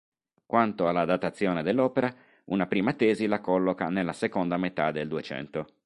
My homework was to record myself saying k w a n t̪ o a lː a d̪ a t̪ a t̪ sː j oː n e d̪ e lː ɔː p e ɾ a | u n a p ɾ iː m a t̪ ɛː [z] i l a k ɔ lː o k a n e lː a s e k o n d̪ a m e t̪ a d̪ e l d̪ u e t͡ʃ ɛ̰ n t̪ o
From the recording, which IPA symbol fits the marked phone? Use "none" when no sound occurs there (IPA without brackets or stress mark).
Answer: z